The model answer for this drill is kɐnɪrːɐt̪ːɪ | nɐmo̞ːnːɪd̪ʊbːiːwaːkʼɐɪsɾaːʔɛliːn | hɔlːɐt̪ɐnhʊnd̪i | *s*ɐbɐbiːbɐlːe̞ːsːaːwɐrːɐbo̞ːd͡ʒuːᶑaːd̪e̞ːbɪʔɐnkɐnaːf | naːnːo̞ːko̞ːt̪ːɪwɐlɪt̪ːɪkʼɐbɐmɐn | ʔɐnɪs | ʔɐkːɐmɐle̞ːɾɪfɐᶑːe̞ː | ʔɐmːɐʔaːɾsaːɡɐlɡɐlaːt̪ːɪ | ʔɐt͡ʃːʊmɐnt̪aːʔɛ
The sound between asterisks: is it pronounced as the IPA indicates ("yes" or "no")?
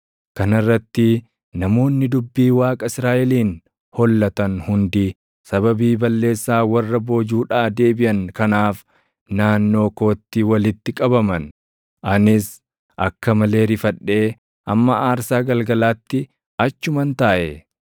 yes